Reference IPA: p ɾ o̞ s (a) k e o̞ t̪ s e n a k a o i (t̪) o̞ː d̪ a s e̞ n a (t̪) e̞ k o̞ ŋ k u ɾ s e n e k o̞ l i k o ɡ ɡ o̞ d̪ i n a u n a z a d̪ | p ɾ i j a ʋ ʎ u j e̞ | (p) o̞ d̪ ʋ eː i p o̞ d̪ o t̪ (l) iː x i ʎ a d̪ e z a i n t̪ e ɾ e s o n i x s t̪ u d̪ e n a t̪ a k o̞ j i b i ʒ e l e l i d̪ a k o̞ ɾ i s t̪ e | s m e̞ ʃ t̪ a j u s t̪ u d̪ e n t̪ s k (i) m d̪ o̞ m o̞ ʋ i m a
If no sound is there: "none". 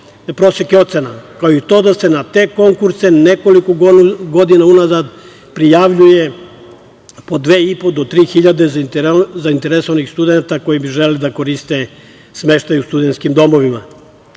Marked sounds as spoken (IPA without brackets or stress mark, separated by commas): e, t̪, t̪, p, ɾ, i